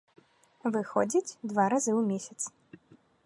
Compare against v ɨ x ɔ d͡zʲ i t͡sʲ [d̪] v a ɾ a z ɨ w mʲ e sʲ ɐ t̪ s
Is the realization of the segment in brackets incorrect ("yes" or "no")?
no